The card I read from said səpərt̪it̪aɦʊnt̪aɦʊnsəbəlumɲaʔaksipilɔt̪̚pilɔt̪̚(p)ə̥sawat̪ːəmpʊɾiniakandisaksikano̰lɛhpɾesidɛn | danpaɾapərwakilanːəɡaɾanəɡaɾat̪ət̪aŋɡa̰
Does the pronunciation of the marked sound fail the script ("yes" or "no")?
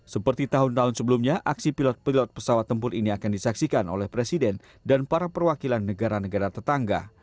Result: no